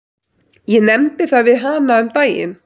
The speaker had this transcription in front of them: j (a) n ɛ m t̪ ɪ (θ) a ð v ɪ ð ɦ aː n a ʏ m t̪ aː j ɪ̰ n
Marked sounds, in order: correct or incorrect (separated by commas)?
incorrect, correct